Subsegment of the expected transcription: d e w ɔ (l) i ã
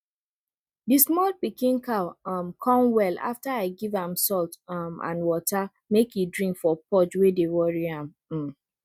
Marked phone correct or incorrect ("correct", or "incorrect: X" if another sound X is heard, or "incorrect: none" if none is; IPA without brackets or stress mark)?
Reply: incorrect: ɹ